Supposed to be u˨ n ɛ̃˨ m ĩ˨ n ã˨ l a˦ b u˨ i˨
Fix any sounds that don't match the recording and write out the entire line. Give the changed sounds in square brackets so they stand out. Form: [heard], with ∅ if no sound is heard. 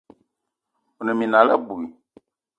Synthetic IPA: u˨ n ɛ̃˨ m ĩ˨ n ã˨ l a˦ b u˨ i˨